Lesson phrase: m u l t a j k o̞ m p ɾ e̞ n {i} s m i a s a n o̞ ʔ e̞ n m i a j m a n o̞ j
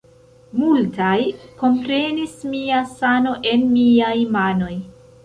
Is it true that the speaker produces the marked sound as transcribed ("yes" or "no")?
yes